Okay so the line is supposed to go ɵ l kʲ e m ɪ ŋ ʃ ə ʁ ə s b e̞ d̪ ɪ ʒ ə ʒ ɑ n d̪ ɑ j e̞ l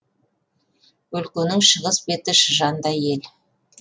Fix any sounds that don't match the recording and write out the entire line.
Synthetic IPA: ɵ l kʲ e n ɪ ŋ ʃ ə ʁ ə s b e̞ t̪ ɪ ʃ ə ʒ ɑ n d̪ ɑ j e̞ l